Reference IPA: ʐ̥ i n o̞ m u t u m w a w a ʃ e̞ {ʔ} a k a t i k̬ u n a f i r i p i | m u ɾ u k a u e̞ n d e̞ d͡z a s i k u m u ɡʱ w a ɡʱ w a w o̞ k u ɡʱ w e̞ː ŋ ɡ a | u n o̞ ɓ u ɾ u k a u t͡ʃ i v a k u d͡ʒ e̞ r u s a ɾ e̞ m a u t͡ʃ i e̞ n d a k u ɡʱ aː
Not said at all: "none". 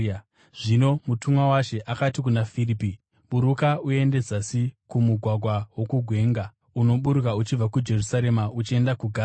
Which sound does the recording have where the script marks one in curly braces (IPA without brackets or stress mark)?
ʔ